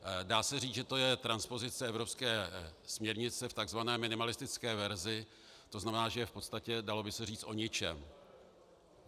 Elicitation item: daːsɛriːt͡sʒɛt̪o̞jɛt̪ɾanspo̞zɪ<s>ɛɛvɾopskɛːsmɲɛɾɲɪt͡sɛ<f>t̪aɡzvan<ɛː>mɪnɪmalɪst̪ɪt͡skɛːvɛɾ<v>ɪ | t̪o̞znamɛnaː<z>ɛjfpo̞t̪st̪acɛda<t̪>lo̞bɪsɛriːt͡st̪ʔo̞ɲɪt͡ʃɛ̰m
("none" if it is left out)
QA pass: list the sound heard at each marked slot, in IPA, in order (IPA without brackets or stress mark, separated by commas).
t͡s, f, ɛː, z, ʒ, none